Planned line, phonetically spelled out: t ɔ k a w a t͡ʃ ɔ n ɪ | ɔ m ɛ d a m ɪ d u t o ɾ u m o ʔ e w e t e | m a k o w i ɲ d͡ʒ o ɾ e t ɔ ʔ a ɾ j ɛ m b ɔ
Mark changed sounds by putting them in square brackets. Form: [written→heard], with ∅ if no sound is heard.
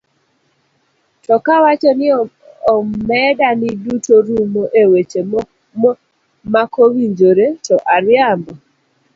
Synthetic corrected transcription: t ɔ k a w a t͡ʃ ɔ n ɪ | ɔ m ɛ d a [m→n] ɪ d u t o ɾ u m o ʔ e w e [t→t͡ʃ] e | m a k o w i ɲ d͡ʒ o ɾ e t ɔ ʔ a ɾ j [ɛ→a] m b ɔ